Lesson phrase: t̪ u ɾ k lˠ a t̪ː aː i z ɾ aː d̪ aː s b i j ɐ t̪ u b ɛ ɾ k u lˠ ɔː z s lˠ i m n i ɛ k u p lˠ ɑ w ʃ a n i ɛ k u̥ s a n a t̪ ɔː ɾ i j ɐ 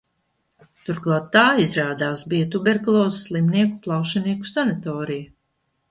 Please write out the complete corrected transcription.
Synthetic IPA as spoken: t̪ u ɾ k lˠ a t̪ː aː i z ɾ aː d̪ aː s b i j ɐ t̪ u b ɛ ɾ k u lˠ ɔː z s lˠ i m n i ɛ k u p lˠ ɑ w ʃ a n i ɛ k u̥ s a n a t̪ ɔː ɾ i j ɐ